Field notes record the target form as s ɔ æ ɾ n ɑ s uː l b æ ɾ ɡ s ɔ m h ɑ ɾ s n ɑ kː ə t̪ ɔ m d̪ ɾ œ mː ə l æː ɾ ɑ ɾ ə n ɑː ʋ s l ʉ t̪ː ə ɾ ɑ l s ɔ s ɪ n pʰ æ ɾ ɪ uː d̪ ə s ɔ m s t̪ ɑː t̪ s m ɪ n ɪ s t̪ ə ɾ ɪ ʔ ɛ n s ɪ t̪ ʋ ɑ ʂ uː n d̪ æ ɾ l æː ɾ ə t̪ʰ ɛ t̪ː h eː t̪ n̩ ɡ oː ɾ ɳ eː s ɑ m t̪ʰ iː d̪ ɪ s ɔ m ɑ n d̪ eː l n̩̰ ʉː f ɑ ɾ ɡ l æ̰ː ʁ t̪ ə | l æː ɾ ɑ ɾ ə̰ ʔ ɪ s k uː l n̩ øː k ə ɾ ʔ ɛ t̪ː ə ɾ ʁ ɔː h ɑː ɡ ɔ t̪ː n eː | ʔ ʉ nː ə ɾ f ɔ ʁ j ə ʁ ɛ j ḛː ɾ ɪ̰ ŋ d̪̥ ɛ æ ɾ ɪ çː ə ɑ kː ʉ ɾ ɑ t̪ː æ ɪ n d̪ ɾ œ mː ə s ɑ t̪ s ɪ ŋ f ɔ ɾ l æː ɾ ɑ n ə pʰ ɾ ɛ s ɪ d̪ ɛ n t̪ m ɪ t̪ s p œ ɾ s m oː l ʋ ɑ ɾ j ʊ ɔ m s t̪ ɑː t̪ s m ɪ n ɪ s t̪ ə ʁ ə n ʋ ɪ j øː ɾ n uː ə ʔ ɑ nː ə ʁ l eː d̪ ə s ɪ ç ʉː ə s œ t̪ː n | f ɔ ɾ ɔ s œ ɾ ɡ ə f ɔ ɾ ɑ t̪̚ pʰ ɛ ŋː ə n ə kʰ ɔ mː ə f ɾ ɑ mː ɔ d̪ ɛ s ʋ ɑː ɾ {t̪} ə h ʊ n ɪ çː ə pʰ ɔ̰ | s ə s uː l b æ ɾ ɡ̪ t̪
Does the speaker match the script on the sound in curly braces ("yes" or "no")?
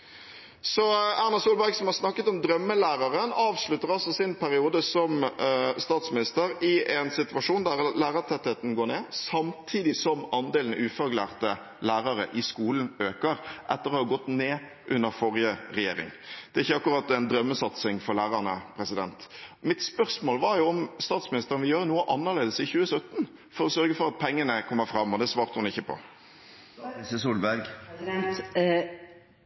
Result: yes